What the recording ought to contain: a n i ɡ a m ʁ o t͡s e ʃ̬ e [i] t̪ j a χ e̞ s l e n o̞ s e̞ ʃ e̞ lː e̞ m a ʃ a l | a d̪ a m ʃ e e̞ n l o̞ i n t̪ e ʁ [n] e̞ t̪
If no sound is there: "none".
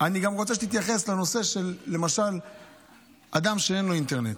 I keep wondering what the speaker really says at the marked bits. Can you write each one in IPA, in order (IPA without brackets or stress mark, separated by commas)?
i, n